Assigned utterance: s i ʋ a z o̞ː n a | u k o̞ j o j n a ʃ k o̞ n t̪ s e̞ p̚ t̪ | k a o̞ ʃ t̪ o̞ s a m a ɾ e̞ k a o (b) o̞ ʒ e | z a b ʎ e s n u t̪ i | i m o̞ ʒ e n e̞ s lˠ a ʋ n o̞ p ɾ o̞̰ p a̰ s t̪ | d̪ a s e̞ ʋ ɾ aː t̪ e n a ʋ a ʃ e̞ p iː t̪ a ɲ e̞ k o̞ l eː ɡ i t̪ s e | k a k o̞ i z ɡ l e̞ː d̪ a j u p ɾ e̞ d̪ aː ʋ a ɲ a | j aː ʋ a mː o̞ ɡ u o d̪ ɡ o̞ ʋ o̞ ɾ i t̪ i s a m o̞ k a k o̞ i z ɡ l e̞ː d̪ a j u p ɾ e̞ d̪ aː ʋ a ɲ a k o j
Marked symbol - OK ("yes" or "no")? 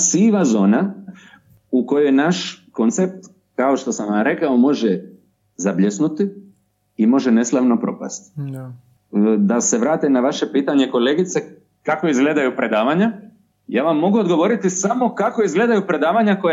no